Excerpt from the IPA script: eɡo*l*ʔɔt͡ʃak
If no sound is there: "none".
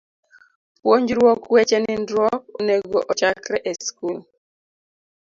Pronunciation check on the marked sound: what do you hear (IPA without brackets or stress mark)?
none